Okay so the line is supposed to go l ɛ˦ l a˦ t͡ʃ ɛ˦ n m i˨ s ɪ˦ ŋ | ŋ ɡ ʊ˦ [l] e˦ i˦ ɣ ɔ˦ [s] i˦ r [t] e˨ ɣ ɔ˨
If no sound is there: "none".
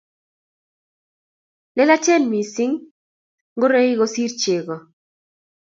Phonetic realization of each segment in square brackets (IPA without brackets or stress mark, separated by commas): ɾ, s, t͡ʃ